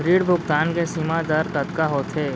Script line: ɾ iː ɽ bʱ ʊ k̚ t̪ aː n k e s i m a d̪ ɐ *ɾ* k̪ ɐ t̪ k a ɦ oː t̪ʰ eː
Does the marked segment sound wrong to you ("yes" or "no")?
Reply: no